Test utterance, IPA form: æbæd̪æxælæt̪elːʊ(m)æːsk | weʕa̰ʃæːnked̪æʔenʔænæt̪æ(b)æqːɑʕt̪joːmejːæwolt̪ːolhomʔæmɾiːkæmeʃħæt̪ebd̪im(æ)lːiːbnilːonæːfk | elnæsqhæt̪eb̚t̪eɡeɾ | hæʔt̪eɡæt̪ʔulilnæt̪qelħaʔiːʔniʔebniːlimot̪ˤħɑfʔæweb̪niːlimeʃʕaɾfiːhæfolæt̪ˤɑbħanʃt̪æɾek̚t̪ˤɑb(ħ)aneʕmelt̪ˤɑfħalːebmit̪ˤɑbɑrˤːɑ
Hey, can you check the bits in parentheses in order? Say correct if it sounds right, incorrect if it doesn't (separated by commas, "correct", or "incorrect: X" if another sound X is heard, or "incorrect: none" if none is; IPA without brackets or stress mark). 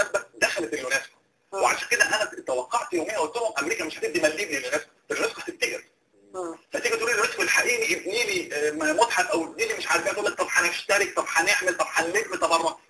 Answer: incorrect: n, incorrect: w, correct, correct